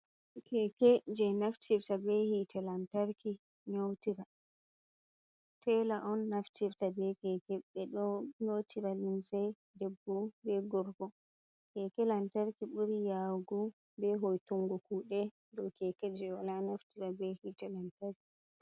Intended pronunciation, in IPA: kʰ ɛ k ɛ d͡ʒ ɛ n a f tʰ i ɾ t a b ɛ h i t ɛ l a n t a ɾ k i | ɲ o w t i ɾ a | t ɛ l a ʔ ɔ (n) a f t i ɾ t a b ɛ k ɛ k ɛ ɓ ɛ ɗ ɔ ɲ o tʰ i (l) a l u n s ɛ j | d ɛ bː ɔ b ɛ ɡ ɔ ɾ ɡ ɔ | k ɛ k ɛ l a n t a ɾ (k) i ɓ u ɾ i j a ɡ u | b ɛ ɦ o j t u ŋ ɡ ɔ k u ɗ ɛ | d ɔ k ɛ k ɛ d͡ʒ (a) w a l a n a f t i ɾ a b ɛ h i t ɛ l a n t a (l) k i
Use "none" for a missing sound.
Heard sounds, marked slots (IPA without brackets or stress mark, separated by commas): nː, ɾ, k, ɛ, ɾ